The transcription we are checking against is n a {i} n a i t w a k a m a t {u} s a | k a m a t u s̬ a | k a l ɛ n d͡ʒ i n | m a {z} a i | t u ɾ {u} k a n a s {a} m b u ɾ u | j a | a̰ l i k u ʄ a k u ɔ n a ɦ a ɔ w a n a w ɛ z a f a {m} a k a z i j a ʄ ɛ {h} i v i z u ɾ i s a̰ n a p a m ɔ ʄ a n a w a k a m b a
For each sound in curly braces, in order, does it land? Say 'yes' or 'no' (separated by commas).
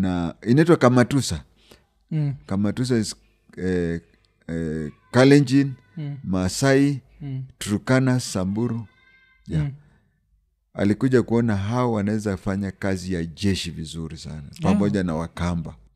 yes, yes, no, yes, yes, no, no